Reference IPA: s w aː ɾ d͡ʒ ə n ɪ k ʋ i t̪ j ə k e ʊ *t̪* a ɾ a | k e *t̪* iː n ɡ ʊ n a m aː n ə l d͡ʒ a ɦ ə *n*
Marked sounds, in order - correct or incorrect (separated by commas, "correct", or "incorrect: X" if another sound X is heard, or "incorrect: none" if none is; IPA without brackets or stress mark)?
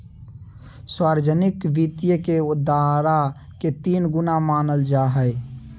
incorrect: d̪, correct, incorrect: none